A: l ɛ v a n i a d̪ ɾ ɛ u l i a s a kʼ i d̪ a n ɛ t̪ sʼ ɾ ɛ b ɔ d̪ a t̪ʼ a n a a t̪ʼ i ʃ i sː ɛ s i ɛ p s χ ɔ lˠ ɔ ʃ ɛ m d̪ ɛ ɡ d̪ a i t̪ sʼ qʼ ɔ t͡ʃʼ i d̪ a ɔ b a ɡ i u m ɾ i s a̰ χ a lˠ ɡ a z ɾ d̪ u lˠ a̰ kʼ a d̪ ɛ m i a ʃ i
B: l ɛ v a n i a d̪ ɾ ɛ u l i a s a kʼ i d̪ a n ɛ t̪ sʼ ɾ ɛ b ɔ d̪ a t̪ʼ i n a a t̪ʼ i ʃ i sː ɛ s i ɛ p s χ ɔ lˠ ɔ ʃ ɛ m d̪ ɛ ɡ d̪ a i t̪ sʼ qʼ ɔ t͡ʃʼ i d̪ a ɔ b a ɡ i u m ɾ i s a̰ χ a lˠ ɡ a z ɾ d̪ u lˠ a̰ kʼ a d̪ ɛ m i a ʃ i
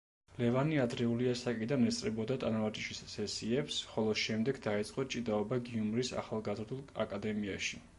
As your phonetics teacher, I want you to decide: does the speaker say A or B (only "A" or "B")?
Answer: A